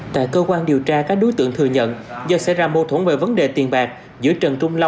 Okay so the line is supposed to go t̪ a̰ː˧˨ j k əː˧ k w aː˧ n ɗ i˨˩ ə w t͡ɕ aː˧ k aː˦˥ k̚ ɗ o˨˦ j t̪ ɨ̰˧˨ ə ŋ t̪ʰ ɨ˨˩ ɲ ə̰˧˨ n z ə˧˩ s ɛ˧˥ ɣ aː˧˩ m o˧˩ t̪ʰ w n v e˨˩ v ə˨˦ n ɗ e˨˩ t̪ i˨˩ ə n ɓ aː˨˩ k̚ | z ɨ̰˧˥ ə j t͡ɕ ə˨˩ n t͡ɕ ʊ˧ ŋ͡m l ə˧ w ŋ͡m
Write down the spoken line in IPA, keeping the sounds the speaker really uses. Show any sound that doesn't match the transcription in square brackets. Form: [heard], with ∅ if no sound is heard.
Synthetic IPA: t̪ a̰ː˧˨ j k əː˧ k w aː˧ n ɗ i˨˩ ə w t͡ɕ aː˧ k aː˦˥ k̚ ɗ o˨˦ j t̪ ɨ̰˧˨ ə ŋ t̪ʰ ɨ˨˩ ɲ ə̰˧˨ n z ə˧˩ s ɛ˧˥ [z] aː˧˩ m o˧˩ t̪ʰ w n v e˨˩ v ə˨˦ n ɗ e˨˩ t̪ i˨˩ ə n ɓ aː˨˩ k̚ | z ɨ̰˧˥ ə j t͡ɕ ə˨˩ n t͡ɕ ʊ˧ ŋ͡m l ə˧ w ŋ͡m